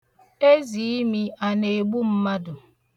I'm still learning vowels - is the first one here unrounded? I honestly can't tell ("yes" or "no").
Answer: yes